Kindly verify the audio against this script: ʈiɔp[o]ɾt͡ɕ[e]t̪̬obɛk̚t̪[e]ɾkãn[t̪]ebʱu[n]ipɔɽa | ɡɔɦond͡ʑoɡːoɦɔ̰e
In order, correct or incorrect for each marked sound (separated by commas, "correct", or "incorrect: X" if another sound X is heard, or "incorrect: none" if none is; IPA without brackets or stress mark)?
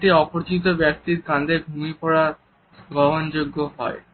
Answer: correct, incorrect: i, incorrect: i, incorrect: d̪, incorrect: m